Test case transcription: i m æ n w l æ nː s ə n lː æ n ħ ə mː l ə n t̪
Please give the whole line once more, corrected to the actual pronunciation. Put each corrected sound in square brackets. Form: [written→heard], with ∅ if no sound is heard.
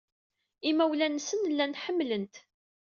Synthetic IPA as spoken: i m æ [n→∅] w l æ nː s ə n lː æ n ħ ə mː l ə n t̪